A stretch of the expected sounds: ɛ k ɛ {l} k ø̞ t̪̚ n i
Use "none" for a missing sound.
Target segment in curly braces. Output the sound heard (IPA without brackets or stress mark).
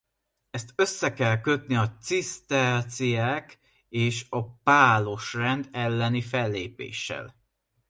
l